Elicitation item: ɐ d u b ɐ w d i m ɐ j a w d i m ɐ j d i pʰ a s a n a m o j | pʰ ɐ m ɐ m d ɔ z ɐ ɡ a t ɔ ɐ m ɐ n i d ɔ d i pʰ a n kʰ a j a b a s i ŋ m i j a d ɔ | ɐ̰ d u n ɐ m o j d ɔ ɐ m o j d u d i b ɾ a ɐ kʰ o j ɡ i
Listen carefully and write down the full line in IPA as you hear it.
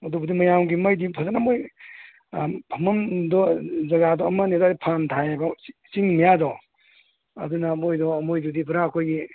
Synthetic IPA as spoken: ɐ d u b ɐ d i m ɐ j a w ɡ i m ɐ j d i pʰ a z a n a m o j | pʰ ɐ m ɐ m d ɔ z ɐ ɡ a d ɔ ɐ m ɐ n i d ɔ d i pʰ a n tʰ a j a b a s i ŋ m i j a d ɔ | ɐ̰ d u n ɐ m o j d ɔ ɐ m o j d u d i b ɾ a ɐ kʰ o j ɡ i